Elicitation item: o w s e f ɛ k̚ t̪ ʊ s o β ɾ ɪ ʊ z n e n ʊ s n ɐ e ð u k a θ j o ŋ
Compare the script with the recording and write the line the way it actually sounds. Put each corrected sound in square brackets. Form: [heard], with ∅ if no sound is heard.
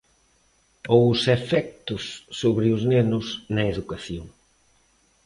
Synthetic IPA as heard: o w s e f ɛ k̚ t̪ ʊ [sː] o β ɾ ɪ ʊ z n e n ʊ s n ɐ e ð u k a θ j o ŋ